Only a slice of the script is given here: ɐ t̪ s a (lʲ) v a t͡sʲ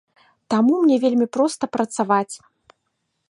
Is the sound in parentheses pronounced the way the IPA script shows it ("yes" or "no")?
no